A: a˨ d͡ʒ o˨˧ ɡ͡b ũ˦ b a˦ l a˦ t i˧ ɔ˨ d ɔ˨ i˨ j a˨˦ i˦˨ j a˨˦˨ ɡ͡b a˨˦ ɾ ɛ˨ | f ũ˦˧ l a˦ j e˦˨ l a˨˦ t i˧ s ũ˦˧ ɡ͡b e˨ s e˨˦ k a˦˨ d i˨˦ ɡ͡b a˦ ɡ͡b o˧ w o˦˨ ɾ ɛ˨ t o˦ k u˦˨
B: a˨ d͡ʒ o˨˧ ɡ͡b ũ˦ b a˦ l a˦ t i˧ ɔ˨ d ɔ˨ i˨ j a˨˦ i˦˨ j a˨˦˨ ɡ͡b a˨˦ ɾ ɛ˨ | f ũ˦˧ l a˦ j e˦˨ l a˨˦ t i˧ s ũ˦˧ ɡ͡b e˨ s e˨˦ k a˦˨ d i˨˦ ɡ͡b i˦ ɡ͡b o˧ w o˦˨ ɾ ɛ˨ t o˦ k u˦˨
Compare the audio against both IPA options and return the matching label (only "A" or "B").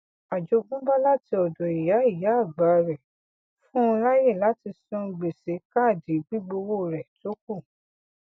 B